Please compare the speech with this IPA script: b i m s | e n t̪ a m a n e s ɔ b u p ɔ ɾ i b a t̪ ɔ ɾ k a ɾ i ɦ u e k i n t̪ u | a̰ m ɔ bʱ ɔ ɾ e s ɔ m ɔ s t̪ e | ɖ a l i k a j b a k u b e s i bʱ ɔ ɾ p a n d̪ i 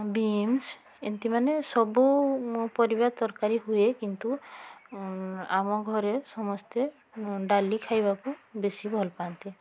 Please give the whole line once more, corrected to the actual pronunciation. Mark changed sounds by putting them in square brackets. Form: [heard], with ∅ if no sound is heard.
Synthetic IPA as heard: b i m s | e n t̪ [i] m a n e s ɔ b u p ɔ ɾ i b a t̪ ɔ ɾ k a ɾ i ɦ u e k i n t̪ u | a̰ m ɔ [ɡʱ] ɔ ɾ e s ɔ m ɔ s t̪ e | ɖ a l i [kʰ] a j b a k u b e s i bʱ ɔ [l] p a n [t̪] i

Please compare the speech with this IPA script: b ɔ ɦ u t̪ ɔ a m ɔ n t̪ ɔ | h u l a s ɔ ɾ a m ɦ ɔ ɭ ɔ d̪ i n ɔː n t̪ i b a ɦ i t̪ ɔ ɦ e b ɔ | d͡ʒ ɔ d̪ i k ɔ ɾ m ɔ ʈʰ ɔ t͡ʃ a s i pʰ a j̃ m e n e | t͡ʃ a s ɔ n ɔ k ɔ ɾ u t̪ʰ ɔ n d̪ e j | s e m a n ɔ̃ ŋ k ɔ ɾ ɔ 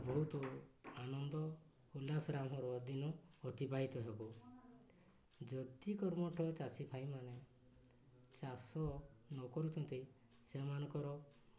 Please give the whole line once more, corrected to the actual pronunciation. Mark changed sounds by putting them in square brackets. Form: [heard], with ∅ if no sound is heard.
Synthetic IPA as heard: b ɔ ɦ u t̪ ɔ a [n] ɔ n [d̪] ɔ | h u l a s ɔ ɾ a m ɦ ɔ [ɾ] ɔ d̪ i n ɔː [∅] t̪ i b a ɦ i t̪ ɔ ɦ e b ɔ | d͡ʒ ɔ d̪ i k ɔ ɾ m ɔ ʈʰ ɔ t͡ʃ a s i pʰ a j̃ m [a] n e | t͡ʃ a s ɔ n ɔ k ɔ ɾ u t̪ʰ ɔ n [t̪] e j | s e m a n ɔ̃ ŋ k ɔ ɾ ɔ

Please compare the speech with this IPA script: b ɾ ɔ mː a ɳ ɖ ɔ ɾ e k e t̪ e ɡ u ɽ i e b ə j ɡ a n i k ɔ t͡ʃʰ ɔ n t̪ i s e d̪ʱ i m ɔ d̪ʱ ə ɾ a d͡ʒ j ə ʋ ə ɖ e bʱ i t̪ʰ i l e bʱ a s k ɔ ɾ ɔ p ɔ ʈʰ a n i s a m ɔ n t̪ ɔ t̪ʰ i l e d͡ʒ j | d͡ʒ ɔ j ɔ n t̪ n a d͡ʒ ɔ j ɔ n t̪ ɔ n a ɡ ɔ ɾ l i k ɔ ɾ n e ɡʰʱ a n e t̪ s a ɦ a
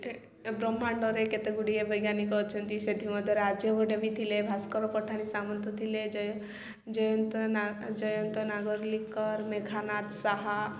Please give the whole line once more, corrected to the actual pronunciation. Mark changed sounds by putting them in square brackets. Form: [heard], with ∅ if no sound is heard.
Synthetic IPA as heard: b ɾ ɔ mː a ɳ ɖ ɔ ɾ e k e t̪ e ɡ u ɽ i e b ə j ɡ a n i k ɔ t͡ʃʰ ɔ n t̪ i s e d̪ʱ i m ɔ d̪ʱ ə ɾ a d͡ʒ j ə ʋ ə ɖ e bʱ i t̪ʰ i l e bʱ a s k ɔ ɾ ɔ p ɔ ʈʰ a n i s a m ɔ n t̪ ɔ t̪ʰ i l e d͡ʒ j | d͡ʒ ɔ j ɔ n t̪ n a d͡ʒ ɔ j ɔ n t̪ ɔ n a ɡ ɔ ɾ l i k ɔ ɾ [m] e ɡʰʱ a n [a] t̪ s a ɦ a

